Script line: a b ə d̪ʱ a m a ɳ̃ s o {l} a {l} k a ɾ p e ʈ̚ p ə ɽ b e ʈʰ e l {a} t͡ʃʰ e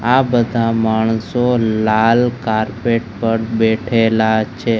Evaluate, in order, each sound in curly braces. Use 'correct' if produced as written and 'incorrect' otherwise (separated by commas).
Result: correct, correct, correct